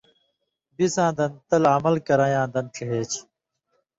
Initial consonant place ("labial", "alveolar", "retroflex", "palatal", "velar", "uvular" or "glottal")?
labial